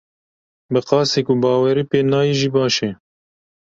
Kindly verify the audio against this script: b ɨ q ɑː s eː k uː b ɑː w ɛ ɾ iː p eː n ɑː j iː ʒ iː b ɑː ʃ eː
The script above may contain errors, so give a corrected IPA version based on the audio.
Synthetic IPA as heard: b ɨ q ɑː s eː k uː b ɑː w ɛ ɾ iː p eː n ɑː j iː ʒ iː b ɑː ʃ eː

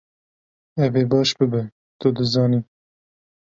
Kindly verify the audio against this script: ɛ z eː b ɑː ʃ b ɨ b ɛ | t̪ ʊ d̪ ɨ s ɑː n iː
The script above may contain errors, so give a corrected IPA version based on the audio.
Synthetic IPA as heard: ɛ v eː b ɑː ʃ b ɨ b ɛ | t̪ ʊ d̪ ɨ z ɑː n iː

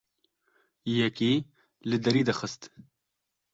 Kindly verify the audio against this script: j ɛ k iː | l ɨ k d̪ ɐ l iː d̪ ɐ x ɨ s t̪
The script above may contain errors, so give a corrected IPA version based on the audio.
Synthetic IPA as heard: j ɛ k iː | l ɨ d̪ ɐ ɾ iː d̪ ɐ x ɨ s t̪

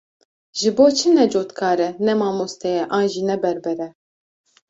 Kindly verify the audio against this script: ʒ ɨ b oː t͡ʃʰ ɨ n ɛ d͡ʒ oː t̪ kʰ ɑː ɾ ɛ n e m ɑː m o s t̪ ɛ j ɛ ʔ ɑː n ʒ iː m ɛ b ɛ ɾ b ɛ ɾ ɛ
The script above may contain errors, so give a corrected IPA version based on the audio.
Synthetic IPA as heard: ʒ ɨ b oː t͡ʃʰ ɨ n ɛ d͡ʒ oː t̪ kʰ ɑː ɾ ɛ n ɛ m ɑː m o s t̪ ɛ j ɛ ʔ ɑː n ʒ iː n ɛ b ɛ ɾ b ɛ ɾ ɛ

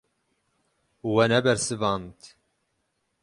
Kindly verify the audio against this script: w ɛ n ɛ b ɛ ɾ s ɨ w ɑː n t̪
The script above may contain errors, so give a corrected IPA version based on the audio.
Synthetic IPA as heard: w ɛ n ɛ b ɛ ɾ s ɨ v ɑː n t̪

